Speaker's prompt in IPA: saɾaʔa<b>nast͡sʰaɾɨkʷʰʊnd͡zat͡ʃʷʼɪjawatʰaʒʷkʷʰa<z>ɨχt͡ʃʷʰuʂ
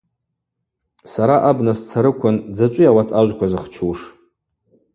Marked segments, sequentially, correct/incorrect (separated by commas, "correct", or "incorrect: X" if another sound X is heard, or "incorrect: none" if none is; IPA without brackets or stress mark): correct, correct